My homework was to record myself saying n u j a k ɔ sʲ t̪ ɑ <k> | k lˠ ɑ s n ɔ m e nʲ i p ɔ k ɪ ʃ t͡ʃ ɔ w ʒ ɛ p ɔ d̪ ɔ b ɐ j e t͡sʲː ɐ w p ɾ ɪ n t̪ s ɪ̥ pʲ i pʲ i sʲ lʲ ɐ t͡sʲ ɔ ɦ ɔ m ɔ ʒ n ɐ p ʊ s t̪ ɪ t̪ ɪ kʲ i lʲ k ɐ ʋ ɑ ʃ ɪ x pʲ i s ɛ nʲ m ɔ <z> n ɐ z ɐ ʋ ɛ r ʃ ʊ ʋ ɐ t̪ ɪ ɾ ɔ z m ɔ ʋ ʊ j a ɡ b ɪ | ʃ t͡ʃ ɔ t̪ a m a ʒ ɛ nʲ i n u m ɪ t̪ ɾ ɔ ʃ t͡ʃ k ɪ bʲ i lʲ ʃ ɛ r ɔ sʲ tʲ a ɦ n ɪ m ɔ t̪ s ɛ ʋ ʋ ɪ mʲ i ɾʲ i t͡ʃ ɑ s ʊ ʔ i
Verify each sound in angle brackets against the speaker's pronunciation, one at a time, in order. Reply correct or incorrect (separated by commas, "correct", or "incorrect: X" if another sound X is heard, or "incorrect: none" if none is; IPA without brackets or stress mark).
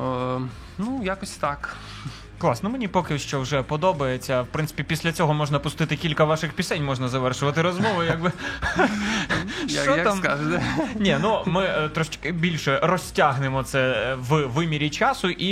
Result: correct, incorrect: ʒ